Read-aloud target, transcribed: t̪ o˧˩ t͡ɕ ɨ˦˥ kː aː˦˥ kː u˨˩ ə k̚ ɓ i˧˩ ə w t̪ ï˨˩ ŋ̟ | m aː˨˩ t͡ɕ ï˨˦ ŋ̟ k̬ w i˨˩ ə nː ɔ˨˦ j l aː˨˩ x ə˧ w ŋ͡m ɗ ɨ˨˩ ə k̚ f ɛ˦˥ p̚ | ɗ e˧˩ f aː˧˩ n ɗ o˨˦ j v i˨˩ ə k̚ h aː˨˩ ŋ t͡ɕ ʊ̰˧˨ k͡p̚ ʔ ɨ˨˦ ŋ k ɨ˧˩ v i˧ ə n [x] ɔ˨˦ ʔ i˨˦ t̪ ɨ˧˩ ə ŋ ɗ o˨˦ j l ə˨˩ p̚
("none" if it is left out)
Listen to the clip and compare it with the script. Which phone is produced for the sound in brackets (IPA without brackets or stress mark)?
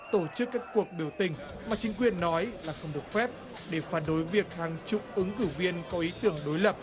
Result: k